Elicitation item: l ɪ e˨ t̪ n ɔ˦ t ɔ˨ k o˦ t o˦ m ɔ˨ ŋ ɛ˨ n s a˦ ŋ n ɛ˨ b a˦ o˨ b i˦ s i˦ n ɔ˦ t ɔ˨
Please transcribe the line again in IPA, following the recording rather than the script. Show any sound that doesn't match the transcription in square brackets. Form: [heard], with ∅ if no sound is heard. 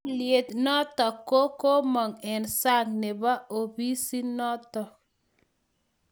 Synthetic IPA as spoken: l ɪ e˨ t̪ n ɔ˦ t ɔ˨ k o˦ [k] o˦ m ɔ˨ ŋ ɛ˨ n s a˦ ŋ n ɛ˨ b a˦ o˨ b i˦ s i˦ n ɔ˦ t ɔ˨